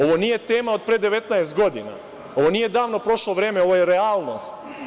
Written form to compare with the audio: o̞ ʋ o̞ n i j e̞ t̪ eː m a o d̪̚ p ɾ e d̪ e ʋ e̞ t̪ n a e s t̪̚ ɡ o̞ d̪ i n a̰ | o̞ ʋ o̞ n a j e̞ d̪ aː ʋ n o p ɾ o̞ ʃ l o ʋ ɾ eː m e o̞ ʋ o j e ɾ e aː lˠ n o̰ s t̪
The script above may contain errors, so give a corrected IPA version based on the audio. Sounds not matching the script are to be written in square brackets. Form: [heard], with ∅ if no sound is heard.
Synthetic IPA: o̞ ʋ o̞ n i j e̞ t̪ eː m a o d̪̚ p ɾ e d̪ e ʋ e̞ t̪ n a e s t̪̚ ɡ o̞ d̪ i n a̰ | o̞ ʋ o̞ n [i] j e̞ d̪ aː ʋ n o p ɾ o̞ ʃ l o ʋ ɾ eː m e o̞ ʋ o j e ɾ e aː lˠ n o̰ s t̪

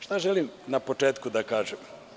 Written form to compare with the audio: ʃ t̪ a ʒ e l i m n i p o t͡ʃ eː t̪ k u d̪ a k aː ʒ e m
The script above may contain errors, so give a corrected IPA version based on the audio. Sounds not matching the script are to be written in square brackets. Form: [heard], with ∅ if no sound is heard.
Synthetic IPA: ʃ t̪ a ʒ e l i m n [a] p o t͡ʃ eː t̪ k u d̪ a k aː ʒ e m

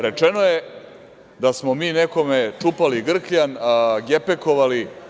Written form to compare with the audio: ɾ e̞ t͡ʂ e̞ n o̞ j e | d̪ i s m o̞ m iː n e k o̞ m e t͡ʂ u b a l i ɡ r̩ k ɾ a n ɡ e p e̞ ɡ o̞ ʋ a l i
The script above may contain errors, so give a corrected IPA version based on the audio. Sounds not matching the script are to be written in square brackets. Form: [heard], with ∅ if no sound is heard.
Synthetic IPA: ɾ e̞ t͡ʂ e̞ n o̞ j e | d̪ [a] s m o̞ m iː n e k o̞ m e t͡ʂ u [p] a l i ɡ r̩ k [ʎ] a n ɡ e p e̞ [k] o̞ ʋ a l i

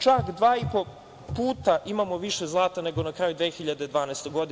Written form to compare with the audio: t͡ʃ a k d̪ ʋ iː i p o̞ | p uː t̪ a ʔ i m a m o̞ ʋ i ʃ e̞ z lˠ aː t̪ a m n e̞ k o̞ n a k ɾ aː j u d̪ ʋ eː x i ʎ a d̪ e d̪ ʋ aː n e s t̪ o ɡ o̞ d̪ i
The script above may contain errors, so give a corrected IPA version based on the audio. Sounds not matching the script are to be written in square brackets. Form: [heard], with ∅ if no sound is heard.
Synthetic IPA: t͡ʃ a k d̪ ʋ [aː] i p o̞ | p uː t̪ a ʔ i m a m o̞ ʋ i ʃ e̞ z lˠ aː t̪ a [∅] n e̞ [ɡ] o̞ n a k ɾ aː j u d̪ ʋ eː x i ʎ a d̪ e d̪ ʋ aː n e s t̪ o ɡ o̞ d̪ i

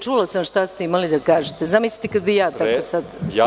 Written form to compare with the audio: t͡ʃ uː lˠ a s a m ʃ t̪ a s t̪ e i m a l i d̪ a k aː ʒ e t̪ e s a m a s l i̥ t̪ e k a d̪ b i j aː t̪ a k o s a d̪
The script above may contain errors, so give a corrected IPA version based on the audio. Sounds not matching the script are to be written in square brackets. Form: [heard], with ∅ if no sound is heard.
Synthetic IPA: t͡ʃ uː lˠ a s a m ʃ t̪ a s t̪ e i m a l i d̪ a k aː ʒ e t̪ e [z] a m [i] s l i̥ t̪ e k a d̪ b i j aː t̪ a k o s a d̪

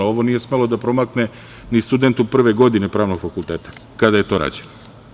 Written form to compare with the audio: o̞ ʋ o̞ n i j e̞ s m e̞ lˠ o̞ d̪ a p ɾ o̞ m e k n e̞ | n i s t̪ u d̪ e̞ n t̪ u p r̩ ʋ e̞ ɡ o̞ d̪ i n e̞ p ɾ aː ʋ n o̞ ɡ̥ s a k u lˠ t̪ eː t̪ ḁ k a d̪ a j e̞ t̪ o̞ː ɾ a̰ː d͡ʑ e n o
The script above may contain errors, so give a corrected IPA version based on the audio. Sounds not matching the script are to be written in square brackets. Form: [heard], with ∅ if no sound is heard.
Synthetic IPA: o̞ ʋ o̞ n i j e̞ s m e̞ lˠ o̞ d̪ a p ɾ o̞ m [a] k n e̞ | n i s t̪ u d̪ e̞ n t̪ u p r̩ ʋ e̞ ɡ o̞ d̪ i n e̞ p ɾ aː ʋ n o̞ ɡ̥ [f] a k u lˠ t̪ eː t̪ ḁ k a d̪ a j e̞ t̪ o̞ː ɾ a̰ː d͡ʑ e n o

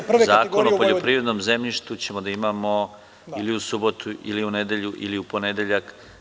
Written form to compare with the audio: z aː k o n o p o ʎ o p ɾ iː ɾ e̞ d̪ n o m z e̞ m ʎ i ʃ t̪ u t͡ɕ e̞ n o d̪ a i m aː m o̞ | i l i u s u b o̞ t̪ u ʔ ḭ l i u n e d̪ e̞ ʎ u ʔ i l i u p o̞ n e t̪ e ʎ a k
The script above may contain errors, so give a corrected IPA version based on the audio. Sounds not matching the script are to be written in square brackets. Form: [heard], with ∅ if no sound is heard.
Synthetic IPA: z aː k o n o p o ʎ o p ɾ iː ɾ e̞ d̪ n o m z e̞ m ʎ i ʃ t̪ u t͡ɕ e̞ [m] o d̪ a i m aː m o̞ | i l i u s u b o̞ t̪ u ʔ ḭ l i u n e d̪ e̞ ʎ u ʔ i l i u p o̞ n e [d̪] e ʎ a k

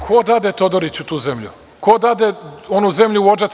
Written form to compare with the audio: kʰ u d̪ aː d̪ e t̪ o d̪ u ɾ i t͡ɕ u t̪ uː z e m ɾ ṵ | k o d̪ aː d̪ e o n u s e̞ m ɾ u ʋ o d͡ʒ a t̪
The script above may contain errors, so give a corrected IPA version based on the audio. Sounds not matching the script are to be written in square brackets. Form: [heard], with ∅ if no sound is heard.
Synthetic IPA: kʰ [o] d̪ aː d̪ e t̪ o d̪ [o] ɾ i t͡ɕ u t̪ uː z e m [ʎ] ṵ | k o d̪ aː d̪ e o n u [z] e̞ m [ʎ] u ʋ o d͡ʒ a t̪

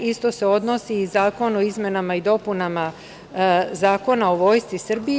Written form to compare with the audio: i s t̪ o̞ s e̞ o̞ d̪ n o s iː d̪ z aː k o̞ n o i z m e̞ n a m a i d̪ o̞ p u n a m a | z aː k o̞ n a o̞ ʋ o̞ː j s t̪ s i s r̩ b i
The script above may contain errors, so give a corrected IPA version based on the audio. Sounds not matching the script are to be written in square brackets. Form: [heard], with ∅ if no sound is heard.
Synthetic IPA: i s t̪ o̞ s e̞ o̞ d̪ n o s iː [∅] z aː k o̞ n o i z m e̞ n a m a i d̪ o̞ p u n a m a | z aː k o̞ n a o̞ ʋ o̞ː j s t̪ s i s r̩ b i

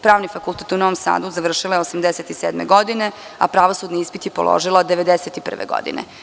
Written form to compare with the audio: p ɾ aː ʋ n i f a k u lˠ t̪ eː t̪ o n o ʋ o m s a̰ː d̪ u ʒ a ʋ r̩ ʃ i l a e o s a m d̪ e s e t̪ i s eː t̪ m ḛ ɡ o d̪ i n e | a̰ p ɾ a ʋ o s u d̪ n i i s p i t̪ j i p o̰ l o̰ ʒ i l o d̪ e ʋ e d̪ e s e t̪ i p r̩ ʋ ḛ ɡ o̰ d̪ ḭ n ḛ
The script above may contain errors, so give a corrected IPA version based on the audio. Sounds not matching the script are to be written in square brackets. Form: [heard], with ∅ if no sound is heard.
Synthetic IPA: p ɾ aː ʋ n i f a k u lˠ t̪ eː t̪ [u] n o ʋ o m s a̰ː d̪ u [z] a ʋ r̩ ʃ i l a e o s a m d̪ e s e t̪ i s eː [d̪] m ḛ ɡ o d̪ i n e | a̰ p ɾ a ʋ o s u d̪ n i i s p i t̪ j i p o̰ l o̰ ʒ i l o d̪ e ʋ e d̪ e s e t̪ i p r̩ ʋ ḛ ɡ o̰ d̪ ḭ n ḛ

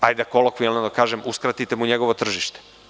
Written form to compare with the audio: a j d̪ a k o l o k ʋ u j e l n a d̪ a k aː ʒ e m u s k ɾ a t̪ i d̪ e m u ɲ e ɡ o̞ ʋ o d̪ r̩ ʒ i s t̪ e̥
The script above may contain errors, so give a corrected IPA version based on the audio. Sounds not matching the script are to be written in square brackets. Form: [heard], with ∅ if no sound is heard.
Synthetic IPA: a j d̪ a k o l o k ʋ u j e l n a d̪ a k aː ʒ e m u s k ɾ a t̪ i [t̪] e m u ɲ e ɡ o̞ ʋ o [t̪] r̩ ʒ i [ʃ] t̪ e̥

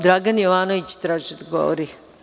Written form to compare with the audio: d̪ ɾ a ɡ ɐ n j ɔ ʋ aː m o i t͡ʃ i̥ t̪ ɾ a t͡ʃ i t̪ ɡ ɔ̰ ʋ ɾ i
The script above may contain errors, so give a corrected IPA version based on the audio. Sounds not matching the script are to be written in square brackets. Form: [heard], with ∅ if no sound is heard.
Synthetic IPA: d̪ ɾ a ɡ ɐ n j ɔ ʋ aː [n] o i t͡ʃ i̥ t̪ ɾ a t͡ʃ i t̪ ɡ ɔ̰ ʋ ɾ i

